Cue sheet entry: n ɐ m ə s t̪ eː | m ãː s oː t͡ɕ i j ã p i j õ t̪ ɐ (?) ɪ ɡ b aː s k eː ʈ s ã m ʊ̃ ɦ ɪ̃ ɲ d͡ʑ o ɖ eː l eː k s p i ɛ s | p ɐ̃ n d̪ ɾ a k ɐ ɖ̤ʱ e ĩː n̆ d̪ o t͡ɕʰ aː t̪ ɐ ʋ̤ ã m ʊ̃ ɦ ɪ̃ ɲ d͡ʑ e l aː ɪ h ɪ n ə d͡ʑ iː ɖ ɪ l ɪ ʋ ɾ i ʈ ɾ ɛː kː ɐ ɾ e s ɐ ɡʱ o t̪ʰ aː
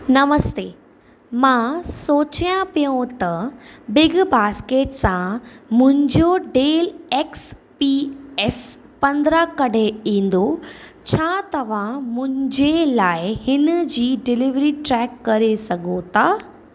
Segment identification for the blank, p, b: b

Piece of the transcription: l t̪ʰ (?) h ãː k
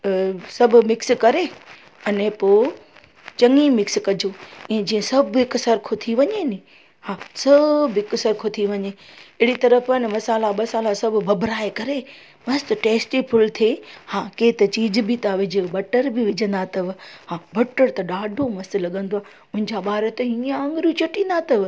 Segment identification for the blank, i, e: e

